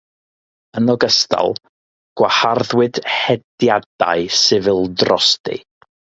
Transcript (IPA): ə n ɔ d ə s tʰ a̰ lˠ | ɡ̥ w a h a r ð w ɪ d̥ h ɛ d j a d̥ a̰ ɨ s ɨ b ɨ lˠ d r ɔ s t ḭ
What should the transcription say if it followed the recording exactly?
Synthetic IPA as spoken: ə n ɔ ɡ ə s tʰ a̰ lˠ | ɡ̥ w a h a r ð w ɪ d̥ h ɛ d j a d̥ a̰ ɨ s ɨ v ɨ lˠ d r ɔ s t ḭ